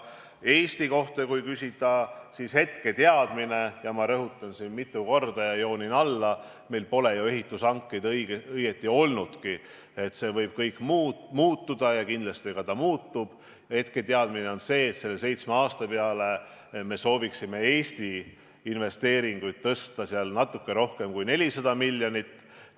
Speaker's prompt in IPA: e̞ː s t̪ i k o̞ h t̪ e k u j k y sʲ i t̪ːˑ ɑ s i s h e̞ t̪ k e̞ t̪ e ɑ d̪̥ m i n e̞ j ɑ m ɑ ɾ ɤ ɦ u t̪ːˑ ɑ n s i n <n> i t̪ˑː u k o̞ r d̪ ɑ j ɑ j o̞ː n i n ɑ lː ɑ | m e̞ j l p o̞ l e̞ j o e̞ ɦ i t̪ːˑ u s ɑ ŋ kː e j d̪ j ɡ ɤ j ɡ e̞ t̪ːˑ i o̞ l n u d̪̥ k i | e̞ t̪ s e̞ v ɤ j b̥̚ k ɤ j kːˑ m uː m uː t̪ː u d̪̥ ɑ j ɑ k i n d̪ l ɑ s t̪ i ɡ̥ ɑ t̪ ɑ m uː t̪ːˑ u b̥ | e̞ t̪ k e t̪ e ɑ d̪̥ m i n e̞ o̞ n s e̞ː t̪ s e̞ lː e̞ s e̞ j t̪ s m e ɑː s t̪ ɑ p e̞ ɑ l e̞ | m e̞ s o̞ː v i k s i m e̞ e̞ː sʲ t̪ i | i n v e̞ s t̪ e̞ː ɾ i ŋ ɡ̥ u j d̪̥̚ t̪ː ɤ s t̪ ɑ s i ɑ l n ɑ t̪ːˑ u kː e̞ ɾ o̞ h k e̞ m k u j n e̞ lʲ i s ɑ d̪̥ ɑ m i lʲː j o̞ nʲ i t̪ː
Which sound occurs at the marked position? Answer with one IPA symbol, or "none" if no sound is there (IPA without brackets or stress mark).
m